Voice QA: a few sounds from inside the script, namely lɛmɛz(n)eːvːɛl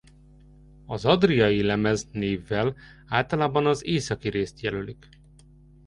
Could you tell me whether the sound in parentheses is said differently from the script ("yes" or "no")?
no